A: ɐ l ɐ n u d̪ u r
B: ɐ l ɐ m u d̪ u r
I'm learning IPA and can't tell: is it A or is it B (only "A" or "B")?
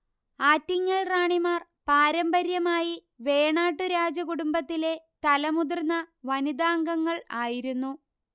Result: B